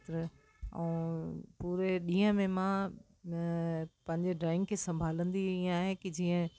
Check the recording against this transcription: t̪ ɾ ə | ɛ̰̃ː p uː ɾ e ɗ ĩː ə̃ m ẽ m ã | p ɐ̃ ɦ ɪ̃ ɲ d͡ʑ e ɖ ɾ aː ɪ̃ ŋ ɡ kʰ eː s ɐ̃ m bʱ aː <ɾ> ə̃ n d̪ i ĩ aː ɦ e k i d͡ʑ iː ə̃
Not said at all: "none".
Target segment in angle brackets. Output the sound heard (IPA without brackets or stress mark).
l